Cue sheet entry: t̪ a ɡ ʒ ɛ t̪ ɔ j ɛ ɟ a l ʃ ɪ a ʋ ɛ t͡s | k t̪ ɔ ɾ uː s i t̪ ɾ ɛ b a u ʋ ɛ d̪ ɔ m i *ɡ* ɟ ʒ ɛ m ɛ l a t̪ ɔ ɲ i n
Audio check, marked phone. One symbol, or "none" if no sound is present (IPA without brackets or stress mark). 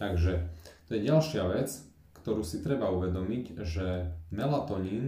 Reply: none